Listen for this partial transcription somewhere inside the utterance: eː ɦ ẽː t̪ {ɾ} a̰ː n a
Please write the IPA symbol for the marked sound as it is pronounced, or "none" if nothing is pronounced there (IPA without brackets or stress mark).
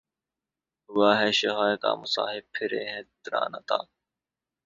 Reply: ɾ